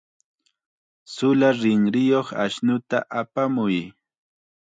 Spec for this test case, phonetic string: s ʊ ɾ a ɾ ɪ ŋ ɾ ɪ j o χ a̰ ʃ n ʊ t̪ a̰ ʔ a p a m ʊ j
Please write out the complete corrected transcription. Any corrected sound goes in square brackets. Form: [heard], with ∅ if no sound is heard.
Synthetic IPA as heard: s ʊ [l] a ɾ ɪ ŋ ɾ ɪ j o χ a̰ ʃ n ʊ t̪ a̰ ʔ a p a m ʊ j